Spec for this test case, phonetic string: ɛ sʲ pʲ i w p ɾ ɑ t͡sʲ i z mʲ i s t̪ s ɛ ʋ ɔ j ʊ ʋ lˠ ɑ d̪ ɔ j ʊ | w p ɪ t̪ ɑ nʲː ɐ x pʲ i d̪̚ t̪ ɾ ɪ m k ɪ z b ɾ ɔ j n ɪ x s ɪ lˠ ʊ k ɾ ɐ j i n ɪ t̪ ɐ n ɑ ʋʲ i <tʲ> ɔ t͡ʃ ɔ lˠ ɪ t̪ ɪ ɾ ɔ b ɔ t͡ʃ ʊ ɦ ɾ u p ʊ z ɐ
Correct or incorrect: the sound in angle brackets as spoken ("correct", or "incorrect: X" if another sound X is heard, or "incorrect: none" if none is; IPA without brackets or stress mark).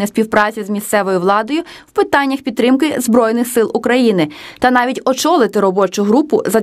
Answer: correct